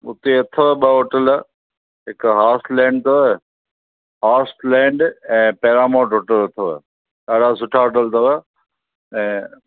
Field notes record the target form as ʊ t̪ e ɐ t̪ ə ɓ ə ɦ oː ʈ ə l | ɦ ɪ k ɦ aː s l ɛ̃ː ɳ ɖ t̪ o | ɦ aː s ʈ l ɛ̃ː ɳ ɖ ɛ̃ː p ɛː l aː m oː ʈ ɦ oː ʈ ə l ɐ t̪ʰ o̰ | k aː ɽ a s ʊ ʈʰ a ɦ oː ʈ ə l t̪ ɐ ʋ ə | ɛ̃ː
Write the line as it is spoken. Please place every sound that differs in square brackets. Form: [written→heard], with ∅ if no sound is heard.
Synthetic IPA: ʊ t̪ e ɐ [t̪→t̪ʰ] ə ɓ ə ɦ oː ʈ ə l | ɦ ɪ k ɦ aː s l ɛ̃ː ɳ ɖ t̪ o | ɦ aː s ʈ l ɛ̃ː ɳ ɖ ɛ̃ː p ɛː [l→ɾ] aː m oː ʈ ɦ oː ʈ ə l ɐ t̪ʰ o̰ | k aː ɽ a s ʊ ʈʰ a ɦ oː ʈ ə l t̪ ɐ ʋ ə | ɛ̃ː